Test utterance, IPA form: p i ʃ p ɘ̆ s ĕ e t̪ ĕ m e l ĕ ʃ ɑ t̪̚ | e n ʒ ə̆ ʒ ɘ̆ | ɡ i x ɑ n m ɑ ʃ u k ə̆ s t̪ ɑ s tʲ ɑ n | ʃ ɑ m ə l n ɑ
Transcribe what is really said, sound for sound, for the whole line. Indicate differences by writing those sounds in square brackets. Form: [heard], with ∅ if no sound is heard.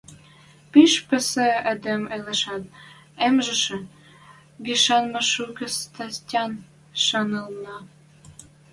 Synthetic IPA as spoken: p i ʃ p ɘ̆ s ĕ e [d̪] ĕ m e l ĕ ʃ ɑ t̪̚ | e [m] ʒ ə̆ [ʃ] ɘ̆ | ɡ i [ʃ] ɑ n m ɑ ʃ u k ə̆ s t̪ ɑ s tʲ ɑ n | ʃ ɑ [n] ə l n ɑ